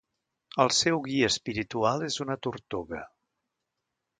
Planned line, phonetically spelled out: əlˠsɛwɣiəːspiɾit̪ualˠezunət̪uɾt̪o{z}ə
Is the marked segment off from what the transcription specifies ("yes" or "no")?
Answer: yes